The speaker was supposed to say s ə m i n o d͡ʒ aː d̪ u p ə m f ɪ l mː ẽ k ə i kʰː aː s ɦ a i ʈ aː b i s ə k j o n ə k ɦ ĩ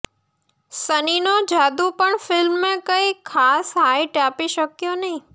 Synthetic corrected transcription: s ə n i n o d͡ʒ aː d̪ u p ə ɳ f ɪ l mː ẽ k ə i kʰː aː s ɦ a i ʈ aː p i ʃ ə k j o n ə ɦ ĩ